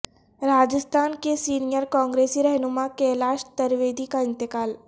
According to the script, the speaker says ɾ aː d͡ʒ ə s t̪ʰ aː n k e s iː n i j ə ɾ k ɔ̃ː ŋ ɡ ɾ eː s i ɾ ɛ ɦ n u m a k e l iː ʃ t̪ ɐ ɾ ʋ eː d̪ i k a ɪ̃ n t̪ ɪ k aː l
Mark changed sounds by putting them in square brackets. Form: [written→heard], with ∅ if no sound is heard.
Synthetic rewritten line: ɾ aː d͡ʒ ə s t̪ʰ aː n k e s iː n i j ə ɾ k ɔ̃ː ŋ ɡ ɾ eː s i ɾ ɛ ɦ n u m a k e l [iː→aː] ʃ t̪ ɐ ɾ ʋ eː d̪ i k a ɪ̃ n t̪ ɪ k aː l